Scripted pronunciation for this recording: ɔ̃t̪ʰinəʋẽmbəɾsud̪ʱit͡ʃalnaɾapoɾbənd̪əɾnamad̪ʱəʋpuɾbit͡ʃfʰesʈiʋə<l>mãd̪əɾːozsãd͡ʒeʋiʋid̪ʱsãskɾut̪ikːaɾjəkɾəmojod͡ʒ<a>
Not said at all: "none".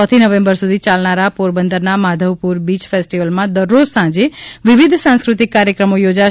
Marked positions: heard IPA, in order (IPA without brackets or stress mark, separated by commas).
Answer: l, a